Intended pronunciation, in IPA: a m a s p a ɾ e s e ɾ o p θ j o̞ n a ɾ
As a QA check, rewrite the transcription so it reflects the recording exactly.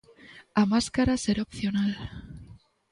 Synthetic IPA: a m a s k a ɾ a s e ɾ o p θ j o̞ n a l

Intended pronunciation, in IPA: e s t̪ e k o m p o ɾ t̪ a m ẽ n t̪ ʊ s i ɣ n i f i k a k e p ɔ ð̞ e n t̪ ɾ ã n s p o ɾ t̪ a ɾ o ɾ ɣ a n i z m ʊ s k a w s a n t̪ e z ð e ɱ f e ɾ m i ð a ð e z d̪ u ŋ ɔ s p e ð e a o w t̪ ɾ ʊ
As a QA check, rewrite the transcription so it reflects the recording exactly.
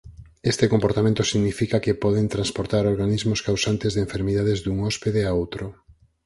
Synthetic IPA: e s t̪ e k o m p o ɾ t̪ a m ẽ n t̪ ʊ s i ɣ n i f i k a k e p ɔ ð̞ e n t̪ ɾ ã n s p o ɾ t̪ a ɾ o ɾ ɣ a n i z m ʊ s k a w s a n t̪ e z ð e ɱ f e ɾ m i ð a ð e z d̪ u ŋ ɔ s p e ð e a o w t̪ ɾ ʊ

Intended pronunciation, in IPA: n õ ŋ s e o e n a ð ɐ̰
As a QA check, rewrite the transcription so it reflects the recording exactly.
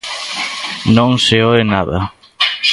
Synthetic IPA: n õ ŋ s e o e n a ð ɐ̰

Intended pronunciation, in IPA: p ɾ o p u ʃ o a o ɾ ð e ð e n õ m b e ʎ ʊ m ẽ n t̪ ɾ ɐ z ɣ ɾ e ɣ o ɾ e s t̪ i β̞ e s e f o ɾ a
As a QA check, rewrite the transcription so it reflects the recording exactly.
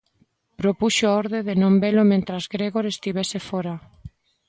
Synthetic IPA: p ɾ o p u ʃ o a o ɾ ð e ð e n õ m b e l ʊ m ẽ n t̪ ɾ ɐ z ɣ ɾ e ɣ o ɾ e s t̪ i β̞ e s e f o ɾ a

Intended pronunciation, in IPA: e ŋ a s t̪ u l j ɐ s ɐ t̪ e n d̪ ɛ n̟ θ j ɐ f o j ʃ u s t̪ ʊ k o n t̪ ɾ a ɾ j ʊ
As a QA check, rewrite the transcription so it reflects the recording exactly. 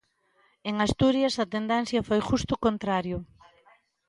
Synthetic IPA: e ŋ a s t̪ u ɾ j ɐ s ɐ t̪ e n d̪ ɛ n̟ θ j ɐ f o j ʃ u s t̪ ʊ k o n t̪ ɾ a ɾ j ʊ

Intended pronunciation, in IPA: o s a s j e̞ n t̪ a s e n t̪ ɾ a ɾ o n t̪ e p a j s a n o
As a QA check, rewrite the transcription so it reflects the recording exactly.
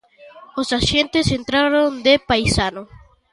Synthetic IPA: o s a s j e̞ n t̪ e s e n t̪ ɾ a ɾ o n d̪ e p a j s a n o

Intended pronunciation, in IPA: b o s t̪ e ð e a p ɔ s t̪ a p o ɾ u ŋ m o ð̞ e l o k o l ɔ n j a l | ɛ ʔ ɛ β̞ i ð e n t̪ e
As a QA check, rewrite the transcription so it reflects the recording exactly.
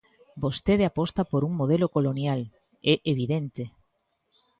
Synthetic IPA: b o s t̪ e ð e a p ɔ s t̪ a p o ɾ u ŋ m o ð̞ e l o k o l o n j a l | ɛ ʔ e β̞ i ð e n t̪ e

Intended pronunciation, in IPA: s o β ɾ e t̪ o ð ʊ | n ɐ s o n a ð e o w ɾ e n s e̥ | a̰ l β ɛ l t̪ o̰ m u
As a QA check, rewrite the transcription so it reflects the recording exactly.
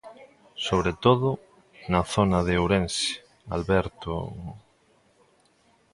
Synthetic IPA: s o β ɾ e t̪ o ð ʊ | n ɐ θ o n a ð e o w ɾ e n s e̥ | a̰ l β ɛ ɾ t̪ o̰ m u

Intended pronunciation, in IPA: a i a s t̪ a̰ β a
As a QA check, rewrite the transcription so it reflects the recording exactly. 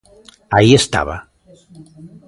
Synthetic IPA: a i e s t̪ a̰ β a

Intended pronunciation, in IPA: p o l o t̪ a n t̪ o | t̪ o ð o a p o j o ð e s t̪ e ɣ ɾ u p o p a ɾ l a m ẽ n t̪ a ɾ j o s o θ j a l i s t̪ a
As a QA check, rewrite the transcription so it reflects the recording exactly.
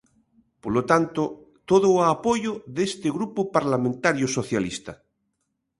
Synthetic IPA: p o l o t̪ a n t̪ o | t̪ o ð o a p o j o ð e s t̪ e ɣ ɾ u p o p a ɾ l a m ẽ n t̪ a ɾ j o s o θ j a l i s t̪ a

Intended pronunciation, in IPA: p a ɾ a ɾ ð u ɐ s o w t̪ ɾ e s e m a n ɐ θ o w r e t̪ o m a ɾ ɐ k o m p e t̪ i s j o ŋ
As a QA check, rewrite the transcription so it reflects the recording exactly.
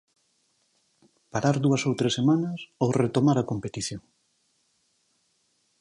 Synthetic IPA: p a ɾ a ɾ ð u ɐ s o w t̪ ɾ e s e m a n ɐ s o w r e t̪ o m a ɾ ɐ k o m p e t̪ i θ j o ŋ

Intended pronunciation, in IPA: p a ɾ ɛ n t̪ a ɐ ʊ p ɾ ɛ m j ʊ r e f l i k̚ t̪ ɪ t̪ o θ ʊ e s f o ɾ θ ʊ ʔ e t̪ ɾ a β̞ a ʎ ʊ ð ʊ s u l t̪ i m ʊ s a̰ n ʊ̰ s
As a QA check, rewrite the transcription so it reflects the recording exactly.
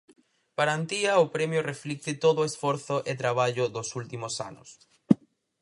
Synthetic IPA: p a ɾ a n t̪ i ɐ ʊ p ɾ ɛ m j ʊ r e f l i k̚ t̪ ɪ t̪ o ð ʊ e s f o ɾ θ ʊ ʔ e t̪ ɾ a β̞ a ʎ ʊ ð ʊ s u l t̪ i m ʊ s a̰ n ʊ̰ s

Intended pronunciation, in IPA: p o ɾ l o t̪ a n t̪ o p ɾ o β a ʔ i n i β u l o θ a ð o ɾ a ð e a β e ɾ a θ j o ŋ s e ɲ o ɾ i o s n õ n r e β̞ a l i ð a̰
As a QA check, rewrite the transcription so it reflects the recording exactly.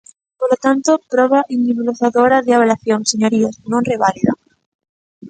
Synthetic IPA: p o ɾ l o t̪ a n t̪ o p ɾ o β a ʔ i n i β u l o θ a ð o ɾ a ð e a β e l a θ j o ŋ s e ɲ o ɾ i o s n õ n r e β̞ a l i ð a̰

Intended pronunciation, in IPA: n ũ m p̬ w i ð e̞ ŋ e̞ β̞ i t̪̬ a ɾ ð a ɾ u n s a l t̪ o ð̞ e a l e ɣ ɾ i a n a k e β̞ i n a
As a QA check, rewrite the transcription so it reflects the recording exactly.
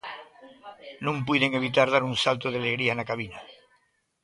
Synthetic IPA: n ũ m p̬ w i ð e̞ ŋ e̞ β̞ i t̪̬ a ɾ ð a ɾ u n s a l t̪ o ð̞ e a l e ɣ ɾ i a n a k a β̞ i n a

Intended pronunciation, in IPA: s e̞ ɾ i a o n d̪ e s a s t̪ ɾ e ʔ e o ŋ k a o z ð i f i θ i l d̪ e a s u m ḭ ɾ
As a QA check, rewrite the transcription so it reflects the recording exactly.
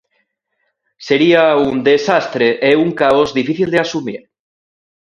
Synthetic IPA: s e̞ ɾ i a u n d̪ e s a s t̪ ɾ e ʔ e u ŋ k a o z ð i f i θ i l d̪ e a s u m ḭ ɾ

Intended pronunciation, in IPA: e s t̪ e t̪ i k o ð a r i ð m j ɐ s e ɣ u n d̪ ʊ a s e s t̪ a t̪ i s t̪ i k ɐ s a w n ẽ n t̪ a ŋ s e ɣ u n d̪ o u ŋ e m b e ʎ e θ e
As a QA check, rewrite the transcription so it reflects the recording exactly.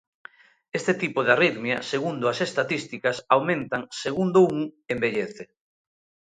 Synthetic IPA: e s t̪ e t̪ i p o ð a r i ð m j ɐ s e ɣ u n d̪ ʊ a s e s t̪ a t̪ i s t̪ i k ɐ s a w m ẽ n t̪ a ŋ s e ɣ u n d̪ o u ŋ e m b e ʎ e θ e

